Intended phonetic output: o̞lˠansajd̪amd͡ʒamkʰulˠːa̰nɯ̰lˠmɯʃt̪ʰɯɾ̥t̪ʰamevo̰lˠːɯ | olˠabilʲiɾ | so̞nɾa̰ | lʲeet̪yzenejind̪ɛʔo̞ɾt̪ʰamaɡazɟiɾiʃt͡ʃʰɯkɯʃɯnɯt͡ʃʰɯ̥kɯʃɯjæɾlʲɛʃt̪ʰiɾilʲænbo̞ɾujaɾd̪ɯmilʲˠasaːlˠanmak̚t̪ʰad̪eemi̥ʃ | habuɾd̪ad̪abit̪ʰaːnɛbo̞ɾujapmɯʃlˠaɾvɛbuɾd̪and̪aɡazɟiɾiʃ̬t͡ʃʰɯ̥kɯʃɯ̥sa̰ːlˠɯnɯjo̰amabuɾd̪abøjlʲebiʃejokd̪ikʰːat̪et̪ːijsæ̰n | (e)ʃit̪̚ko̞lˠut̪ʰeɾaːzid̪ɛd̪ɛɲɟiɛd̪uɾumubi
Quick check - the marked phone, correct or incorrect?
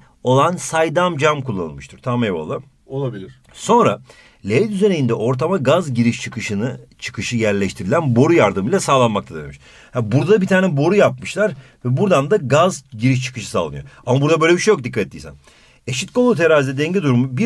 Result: correct